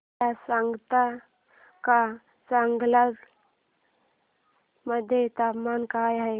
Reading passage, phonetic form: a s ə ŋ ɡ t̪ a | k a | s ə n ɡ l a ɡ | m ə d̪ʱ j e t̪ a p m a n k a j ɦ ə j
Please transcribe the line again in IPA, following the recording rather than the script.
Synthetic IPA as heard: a s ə ŋ ɡ t̪ a | k a | s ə ŋ ɡ l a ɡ | m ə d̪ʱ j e t̪ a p m a n k a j ɦ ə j